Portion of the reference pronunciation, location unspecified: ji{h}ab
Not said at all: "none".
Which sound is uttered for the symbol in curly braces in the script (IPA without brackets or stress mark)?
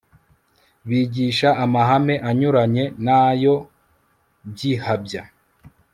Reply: h